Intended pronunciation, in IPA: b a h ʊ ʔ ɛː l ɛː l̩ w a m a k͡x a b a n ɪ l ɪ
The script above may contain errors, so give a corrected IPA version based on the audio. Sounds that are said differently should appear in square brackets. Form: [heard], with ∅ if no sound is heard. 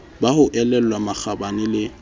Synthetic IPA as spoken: b a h ʊ ʔ [ɛ] l [ɛ] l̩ w a m a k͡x a b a n ɪ l ɪ